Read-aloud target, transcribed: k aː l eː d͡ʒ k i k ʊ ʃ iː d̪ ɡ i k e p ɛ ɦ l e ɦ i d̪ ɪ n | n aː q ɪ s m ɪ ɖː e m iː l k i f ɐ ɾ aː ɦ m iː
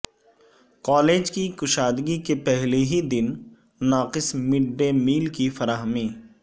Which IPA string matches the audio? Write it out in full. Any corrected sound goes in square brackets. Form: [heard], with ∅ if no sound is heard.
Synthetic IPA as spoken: k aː l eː d͡ʒ k i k ʊ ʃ [aː] d̪ ɡ i k e p ɛ ɦ l e ɦ i d̪ ɪ n | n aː q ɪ s m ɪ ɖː e m iː l k i f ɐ ɾ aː ɦ m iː